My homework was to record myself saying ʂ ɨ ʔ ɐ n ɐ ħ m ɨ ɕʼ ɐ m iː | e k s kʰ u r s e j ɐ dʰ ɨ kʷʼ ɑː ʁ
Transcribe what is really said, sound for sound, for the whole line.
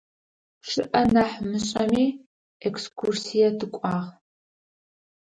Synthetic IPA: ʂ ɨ ʔ ɐ n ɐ ħ m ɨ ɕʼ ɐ m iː | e k s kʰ u r s i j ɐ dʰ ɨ kʷʼ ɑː ʁ